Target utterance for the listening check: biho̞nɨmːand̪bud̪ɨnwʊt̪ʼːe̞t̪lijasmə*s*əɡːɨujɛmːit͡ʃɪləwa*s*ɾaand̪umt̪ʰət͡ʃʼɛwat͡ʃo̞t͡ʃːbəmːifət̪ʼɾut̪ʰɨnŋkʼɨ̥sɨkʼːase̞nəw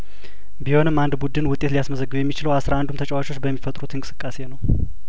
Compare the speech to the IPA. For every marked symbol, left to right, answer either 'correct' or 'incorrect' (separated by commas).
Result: incorrect, correct